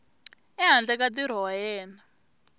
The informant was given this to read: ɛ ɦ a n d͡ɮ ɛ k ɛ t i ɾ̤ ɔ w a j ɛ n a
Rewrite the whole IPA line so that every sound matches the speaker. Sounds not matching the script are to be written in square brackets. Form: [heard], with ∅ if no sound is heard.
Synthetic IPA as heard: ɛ ɦ a n d͡ɮ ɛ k [a] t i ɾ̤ ɔ w a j [ɛː] n a